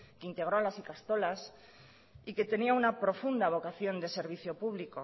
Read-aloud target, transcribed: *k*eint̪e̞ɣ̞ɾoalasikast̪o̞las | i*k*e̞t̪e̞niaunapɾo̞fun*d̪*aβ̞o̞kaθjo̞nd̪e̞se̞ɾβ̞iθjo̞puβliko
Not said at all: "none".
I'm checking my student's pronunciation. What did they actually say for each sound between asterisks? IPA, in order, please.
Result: k, k, d̪

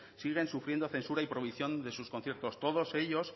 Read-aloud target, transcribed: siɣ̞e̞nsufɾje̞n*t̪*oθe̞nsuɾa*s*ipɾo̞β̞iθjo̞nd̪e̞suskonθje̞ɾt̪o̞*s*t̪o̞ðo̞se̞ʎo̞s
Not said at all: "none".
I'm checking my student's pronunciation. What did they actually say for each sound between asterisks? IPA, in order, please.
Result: d̪, none, s

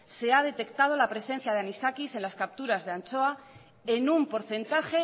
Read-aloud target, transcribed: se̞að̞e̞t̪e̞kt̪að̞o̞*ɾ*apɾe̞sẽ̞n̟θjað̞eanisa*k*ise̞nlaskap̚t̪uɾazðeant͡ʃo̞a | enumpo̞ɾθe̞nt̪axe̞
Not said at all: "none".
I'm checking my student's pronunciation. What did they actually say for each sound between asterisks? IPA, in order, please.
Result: l, k

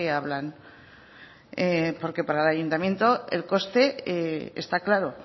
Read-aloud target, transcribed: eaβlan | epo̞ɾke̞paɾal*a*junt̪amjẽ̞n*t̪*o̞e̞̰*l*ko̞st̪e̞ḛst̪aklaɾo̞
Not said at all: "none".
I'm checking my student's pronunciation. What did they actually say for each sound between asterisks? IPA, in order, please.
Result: a, t̪, l

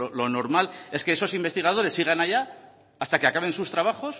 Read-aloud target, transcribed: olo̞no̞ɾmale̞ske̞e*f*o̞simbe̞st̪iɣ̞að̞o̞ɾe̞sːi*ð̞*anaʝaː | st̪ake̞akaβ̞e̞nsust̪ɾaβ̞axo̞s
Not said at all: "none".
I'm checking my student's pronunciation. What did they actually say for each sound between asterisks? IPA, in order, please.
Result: s, ɣ̞

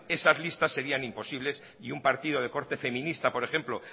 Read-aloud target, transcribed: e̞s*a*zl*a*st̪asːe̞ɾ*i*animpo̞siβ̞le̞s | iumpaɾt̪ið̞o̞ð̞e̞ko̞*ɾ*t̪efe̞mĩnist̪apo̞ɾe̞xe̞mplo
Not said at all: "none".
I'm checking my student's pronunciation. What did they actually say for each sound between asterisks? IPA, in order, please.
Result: a, i, i, ɾ

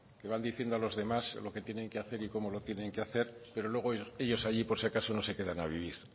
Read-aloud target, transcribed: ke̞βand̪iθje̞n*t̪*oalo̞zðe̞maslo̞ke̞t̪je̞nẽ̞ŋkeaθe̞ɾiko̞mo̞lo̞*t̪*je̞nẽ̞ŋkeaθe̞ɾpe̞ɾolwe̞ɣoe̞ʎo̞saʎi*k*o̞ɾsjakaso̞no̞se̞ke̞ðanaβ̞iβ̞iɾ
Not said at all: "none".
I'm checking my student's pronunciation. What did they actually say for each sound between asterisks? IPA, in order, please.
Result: d̪, t̪, p

